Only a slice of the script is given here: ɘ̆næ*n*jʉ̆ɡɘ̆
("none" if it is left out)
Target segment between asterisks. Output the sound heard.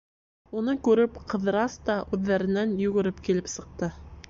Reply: n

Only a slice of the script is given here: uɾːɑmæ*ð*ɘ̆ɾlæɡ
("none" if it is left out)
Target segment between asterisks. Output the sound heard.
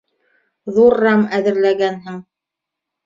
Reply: ð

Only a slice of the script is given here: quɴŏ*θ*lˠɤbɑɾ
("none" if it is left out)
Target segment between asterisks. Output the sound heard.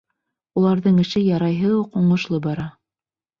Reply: ʃ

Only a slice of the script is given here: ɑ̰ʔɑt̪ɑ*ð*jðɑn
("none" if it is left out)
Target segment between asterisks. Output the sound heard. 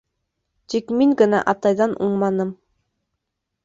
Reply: none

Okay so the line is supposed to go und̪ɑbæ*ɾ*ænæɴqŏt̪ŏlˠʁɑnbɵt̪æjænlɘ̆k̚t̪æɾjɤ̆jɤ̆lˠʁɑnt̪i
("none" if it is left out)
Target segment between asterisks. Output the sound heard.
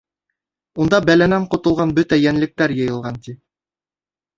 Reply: l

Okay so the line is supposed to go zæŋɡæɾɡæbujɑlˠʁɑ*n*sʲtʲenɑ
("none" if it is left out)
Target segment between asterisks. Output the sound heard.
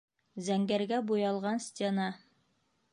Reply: n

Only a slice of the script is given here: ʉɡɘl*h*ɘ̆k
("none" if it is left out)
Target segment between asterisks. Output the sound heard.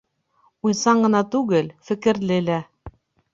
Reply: f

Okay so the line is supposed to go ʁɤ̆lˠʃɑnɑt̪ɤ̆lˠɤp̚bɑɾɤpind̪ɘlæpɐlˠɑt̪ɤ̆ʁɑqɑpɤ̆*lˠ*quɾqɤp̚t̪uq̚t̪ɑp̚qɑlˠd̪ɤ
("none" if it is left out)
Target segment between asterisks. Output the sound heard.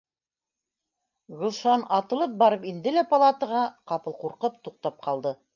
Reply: lˠ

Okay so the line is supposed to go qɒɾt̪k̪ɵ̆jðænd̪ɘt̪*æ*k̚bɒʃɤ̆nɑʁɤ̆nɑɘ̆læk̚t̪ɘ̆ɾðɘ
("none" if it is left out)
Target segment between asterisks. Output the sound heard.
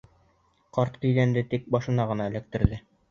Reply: i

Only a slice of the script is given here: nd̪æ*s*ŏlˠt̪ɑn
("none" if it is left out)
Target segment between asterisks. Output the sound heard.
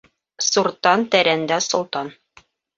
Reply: s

